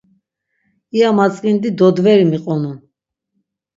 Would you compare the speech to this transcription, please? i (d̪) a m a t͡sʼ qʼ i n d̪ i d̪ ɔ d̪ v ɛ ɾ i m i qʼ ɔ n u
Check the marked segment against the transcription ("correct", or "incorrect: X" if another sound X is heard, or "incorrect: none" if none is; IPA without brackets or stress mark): incorrect: none